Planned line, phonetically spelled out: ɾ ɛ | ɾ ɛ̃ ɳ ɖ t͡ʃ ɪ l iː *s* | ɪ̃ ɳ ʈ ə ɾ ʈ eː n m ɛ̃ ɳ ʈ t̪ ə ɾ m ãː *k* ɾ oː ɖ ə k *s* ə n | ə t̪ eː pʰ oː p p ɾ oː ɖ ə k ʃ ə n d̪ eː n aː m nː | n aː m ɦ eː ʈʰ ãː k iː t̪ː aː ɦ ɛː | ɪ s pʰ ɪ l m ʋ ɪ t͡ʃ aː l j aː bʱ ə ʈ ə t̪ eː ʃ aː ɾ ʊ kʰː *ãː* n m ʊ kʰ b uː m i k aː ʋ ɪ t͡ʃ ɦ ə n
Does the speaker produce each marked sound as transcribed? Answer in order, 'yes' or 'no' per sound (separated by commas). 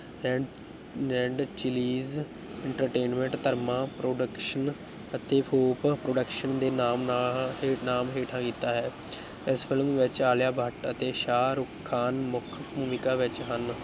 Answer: no, no, no, no